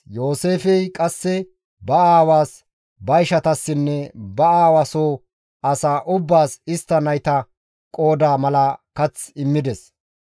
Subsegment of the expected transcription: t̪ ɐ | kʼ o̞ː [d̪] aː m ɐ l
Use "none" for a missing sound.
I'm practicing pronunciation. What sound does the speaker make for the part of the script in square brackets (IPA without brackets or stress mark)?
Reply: d̪